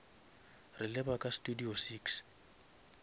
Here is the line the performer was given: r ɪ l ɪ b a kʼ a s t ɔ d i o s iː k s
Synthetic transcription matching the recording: r ɪ l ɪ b a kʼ a s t u d i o s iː k s